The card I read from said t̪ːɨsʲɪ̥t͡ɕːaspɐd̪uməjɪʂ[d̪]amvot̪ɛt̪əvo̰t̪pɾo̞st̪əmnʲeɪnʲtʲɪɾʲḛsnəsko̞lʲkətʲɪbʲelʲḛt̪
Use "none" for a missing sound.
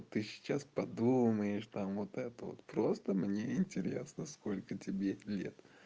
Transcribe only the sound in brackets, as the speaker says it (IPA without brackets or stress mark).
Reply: t̪